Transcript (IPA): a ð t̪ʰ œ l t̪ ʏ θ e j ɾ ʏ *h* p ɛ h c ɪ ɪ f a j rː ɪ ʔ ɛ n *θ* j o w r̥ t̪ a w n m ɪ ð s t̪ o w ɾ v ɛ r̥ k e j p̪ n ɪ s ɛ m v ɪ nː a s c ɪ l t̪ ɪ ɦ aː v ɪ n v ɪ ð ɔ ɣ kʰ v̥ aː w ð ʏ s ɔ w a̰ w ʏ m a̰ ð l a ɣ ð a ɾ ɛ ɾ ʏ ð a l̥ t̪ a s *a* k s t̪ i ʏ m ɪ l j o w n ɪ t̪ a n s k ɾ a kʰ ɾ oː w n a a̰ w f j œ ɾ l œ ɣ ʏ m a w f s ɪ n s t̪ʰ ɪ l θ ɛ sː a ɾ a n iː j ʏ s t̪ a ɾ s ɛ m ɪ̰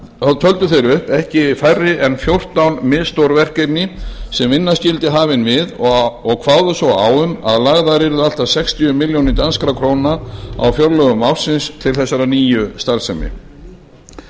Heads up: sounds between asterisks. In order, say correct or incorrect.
correct, incorrect: f, incorrect: ɛ

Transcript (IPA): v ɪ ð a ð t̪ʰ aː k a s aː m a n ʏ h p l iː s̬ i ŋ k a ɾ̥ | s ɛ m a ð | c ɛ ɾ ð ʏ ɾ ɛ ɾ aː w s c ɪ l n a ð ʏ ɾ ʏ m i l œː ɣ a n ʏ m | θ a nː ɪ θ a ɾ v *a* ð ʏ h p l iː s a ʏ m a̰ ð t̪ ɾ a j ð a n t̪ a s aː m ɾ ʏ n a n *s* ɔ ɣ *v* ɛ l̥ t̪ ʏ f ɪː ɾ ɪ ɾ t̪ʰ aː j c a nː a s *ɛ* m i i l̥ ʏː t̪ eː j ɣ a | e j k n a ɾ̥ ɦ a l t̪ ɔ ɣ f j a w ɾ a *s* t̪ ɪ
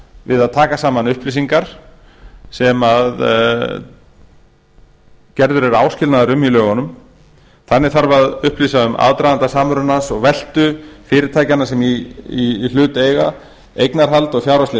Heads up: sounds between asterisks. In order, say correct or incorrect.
correct, correct, correct, correct, correct

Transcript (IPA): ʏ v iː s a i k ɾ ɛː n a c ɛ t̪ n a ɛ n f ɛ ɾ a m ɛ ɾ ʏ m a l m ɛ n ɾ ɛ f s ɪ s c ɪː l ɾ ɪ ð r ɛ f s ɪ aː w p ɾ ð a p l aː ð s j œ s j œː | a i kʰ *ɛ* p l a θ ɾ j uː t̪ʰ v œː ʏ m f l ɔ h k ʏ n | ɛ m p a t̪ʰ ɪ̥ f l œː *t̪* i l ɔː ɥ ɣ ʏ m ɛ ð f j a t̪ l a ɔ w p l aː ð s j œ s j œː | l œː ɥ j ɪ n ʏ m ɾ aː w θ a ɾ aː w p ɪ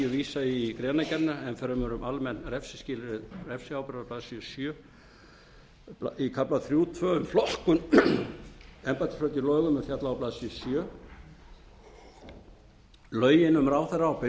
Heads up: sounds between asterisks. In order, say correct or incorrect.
incorrect: a, correct

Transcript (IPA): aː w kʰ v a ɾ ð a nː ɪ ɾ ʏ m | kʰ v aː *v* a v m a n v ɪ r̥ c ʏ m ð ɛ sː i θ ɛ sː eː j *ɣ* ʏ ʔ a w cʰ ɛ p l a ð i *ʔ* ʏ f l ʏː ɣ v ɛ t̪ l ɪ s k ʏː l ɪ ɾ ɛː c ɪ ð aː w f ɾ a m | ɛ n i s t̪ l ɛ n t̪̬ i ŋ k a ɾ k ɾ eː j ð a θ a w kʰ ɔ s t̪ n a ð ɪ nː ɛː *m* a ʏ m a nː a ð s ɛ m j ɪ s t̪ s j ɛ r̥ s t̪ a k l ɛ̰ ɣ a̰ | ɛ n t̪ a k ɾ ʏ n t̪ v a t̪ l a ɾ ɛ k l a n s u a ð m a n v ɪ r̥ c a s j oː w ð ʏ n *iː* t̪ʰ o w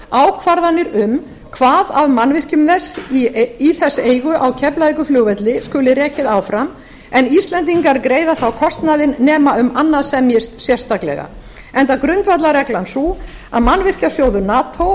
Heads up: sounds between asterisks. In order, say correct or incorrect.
incorrect: ð, correct, incorrect: k, correct, incorrect: aː

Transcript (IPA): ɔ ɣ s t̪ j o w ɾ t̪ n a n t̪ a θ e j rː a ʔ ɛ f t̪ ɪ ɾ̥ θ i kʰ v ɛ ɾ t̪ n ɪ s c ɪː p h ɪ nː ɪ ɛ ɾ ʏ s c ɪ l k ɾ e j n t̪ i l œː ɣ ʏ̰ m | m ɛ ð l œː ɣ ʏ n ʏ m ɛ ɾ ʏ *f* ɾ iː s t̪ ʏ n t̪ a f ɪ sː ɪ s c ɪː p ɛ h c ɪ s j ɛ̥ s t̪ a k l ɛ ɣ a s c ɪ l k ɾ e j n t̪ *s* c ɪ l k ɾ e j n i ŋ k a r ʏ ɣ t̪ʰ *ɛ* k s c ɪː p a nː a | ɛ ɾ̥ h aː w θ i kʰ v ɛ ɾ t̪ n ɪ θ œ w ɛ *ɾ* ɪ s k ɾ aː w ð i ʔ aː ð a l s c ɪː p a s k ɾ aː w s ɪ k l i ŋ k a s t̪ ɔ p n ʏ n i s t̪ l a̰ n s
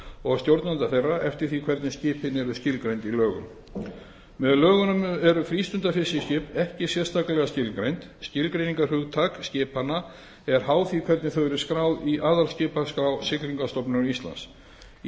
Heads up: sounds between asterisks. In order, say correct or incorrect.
correct, correct, incorrect: a, correct

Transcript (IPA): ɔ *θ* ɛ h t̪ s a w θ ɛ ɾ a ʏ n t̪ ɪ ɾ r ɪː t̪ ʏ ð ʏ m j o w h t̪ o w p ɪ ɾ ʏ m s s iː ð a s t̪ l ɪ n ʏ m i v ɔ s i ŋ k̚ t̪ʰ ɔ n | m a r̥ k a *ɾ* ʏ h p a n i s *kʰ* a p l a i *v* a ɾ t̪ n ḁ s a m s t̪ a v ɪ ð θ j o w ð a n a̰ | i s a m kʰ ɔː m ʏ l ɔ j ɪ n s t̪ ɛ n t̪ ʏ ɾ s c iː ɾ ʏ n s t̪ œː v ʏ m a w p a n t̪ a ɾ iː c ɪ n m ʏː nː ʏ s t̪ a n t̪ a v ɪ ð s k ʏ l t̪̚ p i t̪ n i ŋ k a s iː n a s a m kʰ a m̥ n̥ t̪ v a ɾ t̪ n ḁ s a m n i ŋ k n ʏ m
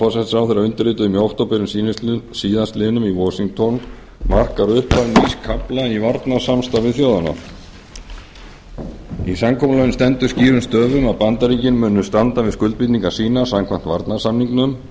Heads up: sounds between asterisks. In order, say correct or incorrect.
incorrect: s, correct, correct, correct

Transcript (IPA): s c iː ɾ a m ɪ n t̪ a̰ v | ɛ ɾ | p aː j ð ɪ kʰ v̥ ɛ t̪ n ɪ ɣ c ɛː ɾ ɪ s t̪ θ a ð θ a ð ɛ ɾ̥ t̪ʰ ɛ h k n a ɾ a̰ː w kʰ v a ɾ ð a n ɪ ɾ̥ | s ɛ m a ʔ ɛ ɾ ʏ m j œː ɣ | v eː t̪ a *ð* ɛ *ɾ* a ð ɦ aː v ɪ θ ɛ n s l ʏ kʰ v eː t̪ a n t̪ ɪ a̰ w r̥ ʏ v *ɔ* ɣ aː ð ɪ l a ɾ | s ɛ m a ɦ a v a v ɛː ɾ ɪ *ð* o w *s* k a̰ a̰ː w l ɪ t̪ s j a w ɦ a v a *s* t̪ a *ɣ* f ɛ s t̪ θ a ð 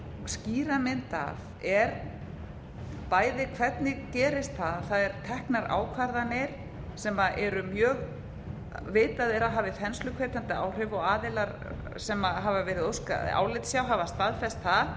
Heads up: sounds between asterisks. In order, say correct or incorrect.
correct, correct, correct, correct, correct, correct, incorrect: ð

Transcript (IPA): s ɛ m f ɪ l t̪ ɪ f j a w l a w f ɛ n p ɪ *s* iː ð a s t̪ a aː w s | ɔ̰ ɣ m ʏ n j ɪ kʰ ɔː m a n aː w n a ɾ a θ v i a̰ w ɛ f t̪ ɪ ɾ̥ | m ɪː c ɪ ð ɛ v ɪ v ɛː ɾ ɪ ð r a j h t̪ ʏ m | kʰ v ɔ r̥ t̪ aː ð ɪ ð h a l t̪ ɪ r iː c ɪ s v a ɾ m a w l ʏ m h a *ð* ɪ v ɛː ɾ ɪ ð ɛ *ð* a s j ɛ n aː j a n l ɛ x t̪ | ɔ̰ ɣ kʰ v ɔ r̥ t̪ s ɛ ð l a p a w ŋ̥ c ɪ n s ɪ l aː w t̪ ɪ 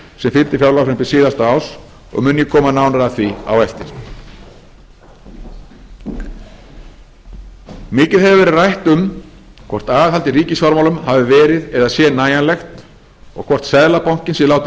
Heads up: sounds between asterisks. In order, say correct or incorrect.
correct, incorrect: v, correct

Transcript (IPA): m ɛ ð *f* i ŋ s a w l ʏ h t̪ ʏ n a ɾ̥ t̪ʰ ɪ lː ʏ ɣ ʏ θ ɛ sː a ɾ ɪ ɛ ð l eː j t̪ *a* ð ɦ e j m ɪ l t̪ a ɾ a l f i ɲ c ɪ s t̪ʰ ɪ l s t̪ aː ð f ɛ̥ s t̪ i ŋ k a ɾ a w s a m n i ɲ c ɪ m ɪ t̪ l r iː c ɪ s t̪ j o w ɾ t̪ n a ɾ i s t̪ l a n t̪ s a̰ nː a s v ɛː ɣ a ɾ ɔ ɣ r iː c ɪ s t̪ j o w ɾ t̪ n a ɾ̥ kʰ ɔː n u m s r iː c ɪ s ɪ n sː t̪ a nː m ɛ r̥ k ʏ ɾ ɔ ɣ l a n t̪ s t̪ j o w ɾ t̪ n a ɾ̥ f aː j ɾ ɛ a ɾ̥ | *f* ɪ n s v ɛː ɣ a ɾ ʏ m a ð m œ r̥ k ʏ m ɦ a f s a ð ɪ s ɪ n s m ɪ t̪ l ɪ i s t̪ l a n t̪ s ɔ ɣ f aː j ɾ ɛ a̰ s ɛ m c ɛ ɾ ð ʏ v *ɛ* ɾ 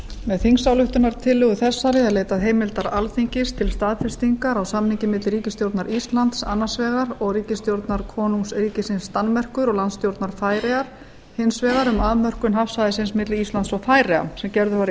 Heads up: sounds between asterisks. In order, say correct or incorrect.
incorrect: θ, correct, incorrect: h, incorrect: a

